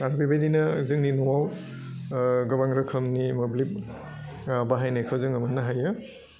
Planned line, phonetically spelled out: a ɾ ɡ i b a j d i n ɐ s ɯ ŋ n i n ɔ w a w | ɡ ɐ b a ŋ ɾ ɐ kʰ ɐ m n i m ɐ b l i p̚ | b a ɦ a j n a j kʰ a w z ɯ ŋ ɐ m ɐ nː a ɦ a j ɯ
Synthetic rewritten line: a ɾ b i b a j d i n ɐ z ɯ ŋ n i n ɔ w a w | ɡ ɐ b a ŋ ɾ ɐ kʰ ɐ m n i m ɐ b l i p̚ | b a ɦ a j n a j kʰ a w z ɯ ŋ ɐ m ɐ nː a ɦ a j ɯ